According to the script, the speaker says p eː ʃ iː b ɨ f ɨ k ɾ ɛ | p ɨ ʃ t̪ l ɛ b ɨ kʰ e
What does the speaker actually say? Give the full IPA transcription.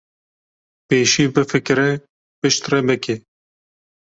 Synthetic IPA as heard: p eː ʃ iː b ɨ f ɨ k ɾ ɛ | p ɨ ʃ t̪ r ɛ b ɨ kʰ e